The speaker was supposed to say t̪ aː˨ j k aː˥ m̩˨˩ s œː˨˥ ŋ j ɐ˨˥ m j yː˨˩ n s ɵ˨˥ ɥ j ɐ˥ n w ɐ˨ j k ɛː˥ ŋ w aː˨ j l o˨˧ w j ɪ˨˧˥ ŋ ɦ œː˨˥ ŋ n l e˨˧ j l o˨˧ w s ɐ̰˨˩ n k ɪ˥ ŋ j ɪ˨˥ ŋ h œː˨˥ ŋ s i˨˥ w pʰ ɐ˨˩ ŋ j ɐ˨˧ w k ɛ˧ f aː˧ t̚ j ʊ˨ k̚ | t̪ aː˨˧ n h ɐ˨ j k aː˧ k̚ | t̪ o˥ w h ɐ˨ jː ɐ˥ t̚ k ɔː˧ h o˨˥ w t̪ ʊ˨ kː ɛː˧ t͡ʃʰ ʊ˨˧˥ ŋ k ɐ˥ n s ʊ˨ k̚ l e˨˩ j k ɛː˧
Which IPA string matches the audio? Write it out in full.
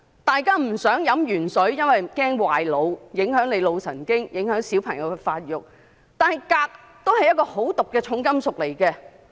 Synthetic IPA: t̪ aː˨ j k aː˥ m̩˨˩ s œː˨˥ ŋ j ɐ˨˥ m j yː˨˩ n s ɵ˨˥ ɥ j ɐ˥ n w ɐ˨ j k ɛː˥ ŋ w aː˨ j l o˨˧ w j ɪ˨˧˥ ŋ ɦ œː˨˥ ŋ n l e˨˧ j l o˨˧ w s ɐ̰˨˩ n k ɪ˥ ŋ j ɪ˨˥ ŋ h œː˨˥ ŋ s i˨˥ w pʰ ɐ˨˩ ŋ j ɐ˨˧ w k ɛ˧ f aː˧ t̚ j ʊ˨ k̚ | t̪ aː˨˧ n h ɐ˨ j k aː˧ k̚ | t̪ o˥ w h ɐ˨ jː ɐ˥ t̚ k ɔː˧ h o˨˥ w t̪ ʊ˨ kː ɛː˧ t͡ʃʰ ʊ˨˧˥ ŋ k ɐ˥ m s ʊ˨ k̚ l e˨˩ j k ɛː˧